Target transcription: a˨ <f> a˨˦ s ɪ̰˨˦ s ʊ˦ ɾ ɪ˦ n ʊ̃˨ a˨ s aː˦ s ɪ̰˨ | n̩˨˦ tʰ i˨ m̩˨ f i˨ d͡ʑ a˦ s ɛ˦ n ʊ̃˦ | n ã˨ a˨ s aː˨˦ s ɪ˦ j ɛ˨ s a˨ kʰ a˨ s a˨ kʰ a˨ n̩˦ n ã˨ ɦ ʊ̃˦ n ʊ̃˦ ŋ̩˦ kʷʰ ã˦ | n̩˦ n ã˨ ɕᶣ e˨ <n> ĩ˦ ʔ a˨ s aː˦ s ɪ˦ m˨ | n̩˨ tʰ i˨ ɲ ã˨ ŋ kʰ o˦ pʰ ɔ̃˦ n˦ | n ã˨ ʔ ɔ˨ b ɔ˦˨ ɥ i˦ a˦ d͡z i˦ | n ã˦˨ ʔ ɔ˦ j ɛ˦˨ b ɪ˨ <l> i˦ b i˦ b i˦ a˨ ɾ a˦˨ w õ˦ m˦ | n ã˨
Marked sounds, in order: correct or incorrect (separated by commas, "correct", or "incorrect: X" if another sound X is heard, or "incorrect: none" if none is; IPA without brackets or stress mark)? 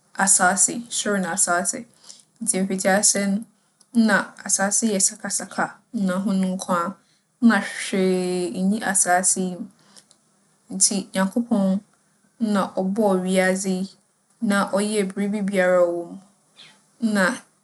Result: incorrect: s, incorrect: ɲ, incorrect: ɾ